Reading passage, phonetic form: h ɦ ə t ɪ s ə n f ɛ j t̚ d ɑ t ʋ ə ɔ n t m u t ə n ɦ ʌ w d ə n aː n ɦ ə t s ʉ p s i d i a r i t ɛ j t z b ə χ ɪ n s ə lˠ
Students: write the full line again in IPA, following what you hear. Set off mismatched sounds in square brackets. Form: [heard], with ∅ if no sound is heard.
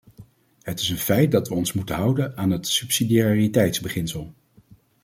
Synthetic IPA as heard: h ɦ ə t ɪ s ə n f ɛ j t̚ d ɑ t ʋ ə ɔ n [s] m u t ə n ɦ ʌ w d ə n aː n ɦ ə t s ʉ p s i d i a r i t ɛ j t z b ə χ ɪ n s ə lˠ

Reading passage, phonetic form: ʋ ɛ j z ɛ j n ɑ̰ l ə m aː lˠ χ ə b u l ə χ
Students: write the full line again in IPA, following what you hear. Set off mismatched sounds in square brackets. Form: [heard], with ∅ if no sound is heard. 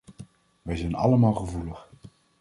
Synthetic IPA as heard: ʋ ɛ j z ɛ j n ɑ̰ l ə m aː lˠ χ ə [v] u l ə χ

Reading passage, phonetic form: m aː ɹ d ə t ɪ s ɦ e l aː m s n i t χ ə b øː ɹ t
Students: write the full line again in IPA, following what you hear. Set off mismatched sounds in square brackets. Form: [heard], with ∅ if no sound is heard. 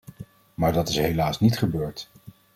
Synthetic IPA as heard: m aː ɹ d [ɑ] t ɪ s ɦ e l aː [∅] s n i t χ ə b øː ɹ t

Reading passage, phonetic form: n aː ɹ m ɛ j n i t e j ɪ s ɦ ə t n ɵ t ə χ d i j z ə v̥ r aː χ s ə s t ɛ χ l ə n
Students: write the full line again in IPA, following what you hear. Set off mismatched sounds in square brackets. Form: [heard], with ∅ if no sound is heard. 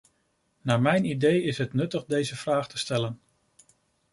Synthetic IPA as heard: n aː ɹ m ɛ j n i [d] e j ɪ s ɦ ə t n ɵ t ə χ d [e] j z ə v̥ r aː χ [t] ə s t ɛ [∅] l ə n

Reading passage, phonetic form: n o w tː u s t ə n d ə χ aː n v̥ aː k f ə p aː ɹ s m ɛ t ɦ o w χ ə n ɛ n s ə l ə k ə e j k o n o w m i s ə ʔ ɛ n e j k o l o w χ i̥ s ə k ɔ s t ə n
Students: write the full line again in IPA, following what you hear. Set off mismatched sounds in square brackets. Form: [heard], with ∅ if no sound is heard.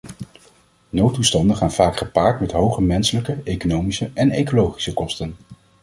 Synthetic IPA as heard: n o w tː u s t [ɑ] n d ə χ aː n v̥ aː k [χ] ə p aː ɹ [t] m ɛ t ɦ o w χ ə [m] ɛ n s ə l ə k ə e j k o n o w m i s ə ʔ ɛ n e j k o l o w χ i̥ s ə k ɔ s t ə n

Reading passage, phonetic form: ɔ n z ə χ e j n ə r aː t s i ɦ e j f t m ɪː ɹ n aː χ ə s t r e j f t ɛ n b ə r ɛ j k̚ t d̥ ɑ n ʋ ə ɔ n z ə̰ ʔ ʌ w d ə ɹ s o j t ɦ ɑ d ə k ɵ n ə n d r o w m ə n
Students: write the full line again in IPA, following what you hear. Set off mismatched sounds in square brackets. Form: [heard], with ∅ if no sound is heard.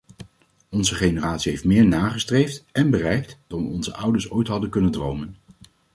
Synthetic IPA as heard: ɔ n z ə χ e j n ə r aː t s i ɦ e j f t m ɪː ɹ n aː χ ə s t r e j f t ɛ n b ə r ɛ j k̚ t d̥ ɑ n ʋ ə ɔ n z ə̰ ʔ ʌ w d ə ɹ s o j t ɦ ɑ d ə k ɵ n ə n d r o w m ə n

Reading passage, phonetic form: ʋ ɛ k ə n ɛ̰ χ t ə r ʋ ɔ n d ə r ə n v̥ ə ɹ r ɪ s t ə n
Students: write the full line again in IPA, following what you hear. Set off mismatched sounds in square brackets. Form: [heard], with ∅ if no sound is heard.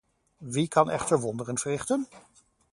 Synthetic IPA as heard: ʋ [i] k [ɑ] n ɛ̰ χ t ə [ɹ] ʋ ɔ n d ə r ə n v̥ ə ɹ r ɪ [χ] t ə n

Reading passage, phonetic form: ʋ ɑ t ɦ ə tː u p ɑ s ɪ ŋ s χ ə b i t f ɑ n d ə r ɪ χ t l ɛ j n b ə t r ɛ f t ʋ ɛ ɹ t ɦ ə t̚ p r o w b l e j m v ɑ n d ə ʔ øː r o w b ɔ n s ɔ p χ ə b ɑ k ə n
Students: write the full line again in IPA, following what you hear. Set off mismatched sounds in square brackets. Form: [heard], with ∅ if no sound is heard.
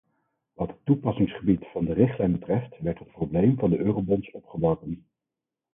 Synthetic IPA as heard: ʋ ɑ t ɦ ə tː u p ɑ s ɪ ŋ s χ ə b i t f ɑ n d ə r ɪ χ t l ɛ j n b ə t r ɛ f t ʋ ɛ ɹ t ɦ ə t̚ p r o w b l e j m v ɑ n d ə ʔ øː r o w b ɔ n s ɔ p χ ə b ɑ k ə n

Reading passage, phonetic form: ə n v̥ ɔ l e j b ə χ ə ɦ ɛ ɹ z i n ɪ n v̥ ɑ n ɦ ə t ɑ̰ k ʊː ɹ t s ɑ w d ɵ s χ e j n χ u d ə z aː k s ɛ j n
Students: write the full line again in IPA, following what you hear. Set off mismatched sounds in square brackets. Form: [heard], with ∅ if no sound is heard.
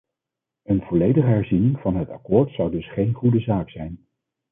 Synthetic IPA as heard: ə n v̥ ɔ l e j [d] ə χ ə ɦ ɛ ɹ z i n ɪ [ŋ] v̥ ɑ n ɦ ə t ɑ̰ k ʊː ɹ t s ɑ w d ɵ s χ e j n χ u d ə z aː k s ɛ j n

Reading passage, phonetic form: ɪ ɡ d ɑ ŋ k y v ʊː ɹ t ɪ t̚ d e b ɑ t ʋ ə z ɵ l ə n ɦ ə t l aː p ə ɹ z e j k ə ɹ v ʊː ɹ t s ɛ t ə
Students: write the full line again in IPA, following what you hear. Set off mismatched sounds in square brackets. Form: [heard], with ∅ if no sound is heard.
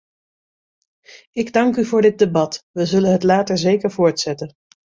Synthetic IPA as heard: ɪ ɡ d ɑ ŋ k y v ʊː ɹ [d] ɪ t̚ d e b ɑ t ʋ ə z ɵ l ə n ɦ ə t l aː [t] ə ɹ z e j k ə ɹ v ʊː ɹ t s ɛ t ə

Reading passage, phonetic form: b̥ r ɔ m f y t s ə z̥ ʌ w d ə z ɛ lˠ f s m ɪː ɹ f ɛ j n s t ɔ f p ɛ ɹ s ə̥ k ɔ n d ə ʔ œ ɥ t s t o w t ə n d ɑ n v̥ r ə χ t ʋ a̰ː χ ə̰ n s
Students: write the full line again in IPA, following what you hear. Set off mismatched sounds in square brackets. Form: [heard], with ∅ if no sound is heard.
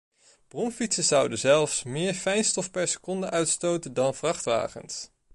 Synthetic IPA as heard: b̥ r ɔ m f [i] t s ə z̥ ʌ w d ə z ɛ lˠ f s m ɪː ɹ f ɛ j n s t ɔ f p ɛ ɹ s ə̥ k ɔ n d ə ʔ œ ɥ t s t o w t ə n d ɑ n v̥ r [ɑ] χ t ʋ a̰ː χ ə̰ n s

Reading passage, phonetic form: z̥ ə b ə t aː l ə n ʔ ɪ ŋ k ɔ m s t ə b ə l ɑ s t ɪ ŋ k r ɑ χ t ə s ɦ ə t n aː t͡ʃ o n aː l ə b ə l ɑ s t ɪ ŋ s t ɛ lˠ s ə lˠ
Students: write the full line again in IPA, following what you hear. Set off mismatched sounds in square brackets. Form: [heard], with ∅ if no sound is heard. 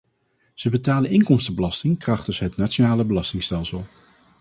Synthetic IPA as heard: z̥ ə b ə t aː l ə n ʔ ɪ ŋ k ɔ m s t ə b ə l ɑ s t ɪ ŋ k r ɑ χ t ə s ɦ ə t n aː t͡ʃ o n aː l ə b ə l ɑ s t ɪ ŋ s t ɛ lˠ s ə lˠ

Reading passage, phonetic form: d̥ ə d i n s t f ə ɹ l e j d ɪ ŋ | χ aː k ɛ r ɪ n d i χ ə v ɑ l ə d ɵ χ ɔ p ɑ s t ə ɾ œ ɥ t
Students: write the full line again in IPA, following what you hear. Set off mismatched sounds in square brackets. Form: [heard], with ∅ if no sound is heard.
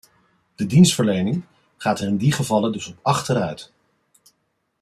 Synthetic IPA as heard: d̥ ə d i n s t f ə ɹ l e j [n] ɪ ŋ | χ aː [t] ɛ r ɪ n d i χ ə v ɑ l ə d ɵ [s] ɔ p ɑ [χ] t ə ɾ œ ɥ t

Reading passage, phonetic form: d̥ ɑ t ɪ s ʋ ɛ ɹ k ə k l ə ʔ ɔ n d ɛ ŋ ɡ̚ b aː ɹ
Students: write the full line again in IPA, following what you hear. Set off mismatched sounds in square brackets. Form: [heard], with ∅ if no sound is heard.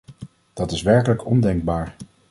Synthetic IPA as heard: d̥ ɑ t ɪ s ʋ ɛ ɹ k ə [∅] l ə [k] ɔ n d ɛ ŋ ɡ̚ b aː ɹ

